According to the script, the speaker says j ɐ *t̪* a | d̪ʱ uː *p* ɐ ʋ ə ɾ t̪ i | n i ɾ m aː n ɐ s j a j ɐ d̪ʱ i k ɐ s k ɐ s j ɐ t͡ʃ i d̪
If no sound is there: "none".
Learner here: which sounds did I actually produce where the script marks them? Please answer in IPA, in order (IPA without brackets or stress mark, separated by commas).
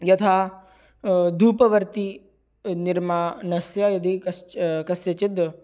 t̪ʰ, p